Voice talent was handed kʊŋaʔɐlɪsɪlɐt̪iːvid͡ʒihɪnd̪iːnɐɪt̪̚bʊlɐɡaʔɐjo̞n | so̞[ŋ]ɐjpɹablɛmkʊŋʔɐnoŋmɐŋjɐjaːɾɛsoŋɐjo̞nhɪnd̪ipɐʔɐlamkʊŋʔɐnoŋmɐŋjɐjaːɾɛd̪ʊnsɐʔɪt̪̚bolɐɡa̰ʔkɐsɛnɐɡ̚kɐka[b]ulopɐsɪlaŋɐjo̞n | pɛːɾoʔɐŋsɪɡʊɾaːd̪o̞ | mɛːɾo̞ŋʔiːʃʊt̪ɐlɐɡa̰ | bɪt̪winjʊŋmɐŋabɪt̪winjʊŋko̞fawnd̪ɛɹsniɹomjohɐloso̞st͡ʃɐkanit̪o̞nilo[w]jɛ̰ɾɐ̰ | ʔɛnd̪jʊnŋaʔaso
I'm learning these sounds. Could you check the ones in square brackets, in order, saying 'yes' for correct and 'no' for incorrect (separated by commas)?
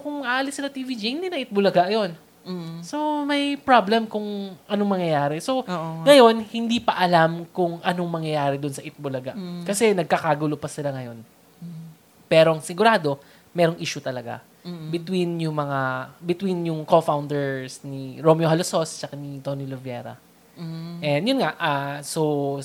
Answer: no, no, no